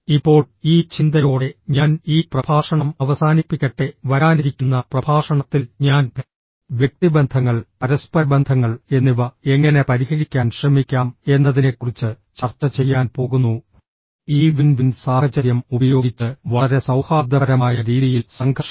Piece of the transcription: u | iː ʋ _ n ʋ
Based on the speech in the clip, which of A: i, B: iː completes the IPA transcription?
A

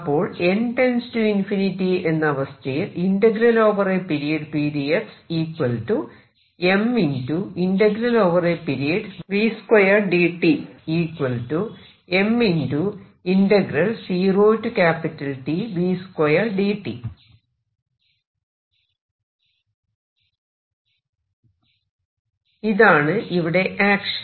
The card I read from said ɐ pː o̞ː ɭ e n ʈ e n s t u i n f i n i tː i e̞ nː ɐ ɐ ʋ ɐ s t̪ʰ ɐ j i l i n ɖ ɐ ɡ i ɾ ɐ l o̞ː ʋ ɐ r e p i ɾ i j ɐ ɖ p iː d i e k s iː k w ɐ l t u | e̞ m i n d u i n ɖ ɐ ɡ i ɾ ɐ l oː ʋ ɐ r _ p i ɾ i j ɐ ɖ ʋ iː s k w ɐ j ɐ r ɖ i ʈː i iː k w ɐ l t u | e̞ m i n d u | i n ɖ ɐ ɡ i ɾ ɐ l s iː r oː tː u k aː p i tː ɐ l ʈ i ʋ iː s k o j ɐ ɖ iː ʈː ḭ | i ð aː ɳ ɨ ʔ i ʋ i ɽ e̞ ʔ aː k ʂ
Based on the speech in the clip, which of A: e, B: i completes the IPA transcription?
A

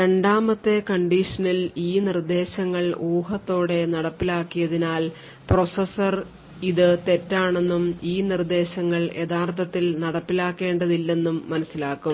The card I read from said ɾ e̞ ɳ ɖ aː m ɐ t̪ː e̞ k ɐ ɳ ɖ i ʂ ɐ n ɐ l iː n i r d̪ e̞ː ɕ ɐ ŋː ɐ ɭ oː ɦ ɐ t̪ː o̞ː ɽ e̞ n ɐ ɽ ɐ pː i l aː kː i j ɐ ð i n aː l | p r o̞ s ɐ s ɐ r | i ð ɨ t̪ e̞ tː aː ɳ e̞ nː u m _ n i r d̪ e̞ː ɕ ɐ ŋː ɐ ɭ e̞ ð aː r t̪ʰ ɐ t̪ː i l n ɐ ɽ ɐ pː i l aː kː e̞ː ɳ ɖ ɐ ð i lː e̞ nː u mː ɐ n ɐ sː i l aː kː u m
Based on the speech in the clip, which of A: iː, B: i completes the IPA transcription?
A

